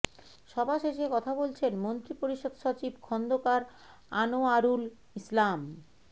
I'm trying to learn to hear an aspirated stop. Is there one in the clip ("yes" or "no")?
yes